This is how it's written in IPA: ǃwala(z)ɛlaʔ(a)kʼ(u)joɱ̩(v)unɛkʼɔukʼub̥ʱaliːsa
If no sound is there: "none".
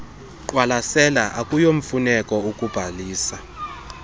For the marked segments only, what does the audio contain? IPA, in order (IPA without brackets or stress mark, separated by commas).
s, a, u, f